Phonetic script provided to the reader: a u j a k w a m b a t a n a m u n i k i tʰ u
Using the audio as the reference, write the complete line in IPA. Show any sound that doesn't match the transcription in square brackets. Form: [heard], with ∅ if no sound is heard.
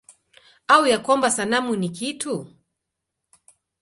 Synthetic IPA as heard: a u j a k w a m b a [s] a n a m u n i k i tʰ u